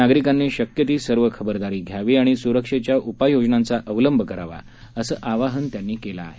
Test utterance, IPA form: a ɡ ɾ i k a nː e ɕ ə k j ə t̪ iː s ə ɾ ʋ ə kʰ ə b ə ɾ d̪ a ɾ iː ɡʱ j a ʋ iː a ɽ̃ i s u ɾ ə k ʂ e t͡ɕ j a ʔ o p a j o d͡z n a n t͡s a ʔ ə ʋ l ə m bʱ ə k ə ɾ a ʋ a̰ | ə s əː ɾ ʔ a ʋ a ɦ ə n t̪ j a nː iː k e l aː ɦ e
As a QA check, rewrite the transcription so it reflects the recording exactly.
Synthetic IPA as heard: a ɡ ɾ i k a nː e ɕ ə k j ə t̪ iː s ə ɾ ʋ ə kʰ ə b ə ɾ d̪ a ɾ iː ɡʱ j a ʋ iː a ɽ̃ i s u ɾ ə k ʂ e t͡ɕ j a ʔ u p a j o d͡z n a n t͡s a ʔ ə ʋ l ə m bʱ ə k ə ɾ a ʋ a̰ | ə s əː ʔ a ʋ a ɦ ə n t̪ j a nː iː k e l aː ɦ e

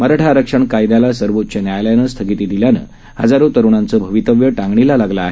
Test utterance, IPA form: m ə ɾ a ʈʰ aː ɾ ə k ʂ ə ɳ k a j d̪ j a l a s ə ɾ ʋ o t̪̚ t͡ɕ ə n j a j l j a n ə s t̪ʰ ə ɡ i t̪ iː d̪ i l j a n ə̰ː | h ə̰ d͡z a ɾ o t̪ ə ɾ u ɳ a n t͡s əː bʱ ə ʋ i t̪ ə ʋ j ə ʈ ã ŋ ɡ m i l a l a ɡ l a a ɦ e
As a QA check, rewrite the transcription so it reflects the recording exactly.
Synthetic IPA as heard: m ə ɾ a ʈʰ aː ɾ ə k ʂ ə ɳ k a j d̪ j a l a s ə ɾ ʋ o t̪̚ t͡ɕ ə n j a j l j a n ə s t̪ʰ ə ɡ i t̪ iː d̪ i l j a n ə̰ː | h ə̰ d͡z a ɾ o t̪ ə ɾ u ɳ a n t͡s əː bʱ ə ʋ i t̪ ə ʋ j ə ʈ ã ŋ ɡ ɳ i l a l a ɡ l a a ɦ e

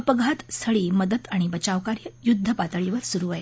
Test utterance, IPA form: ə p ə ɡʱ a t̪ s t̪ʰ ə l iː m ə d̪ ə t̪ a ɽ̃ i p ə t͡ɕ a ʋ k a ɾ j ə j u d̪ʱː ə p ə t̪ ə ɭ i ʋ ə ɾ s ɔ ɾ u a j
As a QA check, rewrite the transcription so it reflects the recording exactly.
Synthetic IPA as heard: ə p ə ɡʱ a t̪ s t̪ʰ ə ɭ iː m ə d̪ ə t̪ a ɽ̃ i b ə t͡ɕ a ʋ k a ɾ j ə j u d̪ʱː ə p a t̪ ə ɭ i ʋ ə ɾ s u ɾ u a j

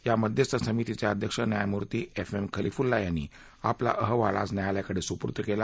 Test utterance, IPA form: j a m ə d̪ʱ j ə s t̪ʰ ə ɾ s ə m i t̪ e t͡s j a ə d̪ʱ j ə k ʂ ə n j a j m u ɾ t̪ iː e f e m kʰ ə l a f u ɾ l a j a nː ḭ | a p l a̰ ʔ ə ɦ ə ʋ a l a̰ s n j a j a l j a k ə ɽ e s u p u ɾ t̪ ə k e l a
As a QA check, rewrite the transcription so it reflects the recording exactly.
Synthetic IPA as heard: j a m ə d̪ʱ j ə s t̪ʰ ə s ə m i t̪ i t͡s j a ə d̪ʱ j ə k ʂ ə n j a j m u ɾ t̪ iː e f e m kʰ ə l i f u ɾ l a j a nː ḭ | a p l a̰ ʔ ə ɦ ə ʋ a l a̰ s n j a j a l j a k ə ɽ e s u p u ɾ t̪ ə k e l a

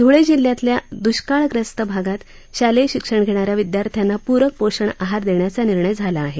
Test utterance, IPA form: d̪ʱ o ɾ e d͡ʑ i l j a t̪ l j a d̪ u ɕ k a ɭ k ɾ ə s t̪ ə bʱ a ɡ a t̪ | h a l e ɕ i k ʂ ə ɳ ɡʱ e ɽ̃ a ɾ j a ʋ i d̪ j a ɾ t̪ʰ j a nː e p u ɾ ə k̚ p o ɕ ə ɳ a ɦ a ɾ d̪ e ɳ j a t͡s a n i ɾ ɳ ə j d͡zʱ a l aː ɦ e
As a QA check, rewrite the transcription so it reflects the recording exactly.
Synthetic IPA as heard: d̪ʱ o ɭ e d͡ʑ i l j a t̪ l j a d̪ u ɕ k a ɭ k ɾ ə s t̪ ə bʱ a ɡ a t̪ | ɕ a l e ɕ i k ʂ ə ɳ ɡʱ e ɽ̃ a ɾ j a ʋ i d̪ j a ɾ t̪ʰ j a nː a p u ɾ ə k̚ p o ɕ ə ɳ a ɦ a ɾ d̪ e ɳ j a t͡s a n i ɾ ɳ ə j d͡zʱ a l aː ɦ e

